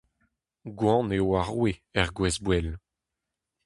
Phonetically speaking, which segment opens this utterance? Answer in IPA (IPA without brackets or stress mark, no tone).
ɡ